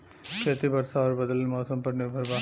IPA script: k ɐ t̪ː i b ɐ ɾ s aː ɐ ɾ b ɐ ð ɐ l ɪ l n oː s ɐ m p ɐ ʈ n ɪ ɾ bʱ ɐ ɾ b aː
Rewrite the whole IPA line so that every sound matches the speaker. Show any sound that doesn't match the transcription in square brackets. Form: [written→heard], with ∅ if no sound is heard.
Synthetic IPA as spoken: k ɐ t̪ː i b ɐ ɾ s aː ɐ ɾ b ɐ ð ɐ l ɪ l [n→m] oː s ɐ m p ɐ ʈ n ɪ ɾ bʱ ɐ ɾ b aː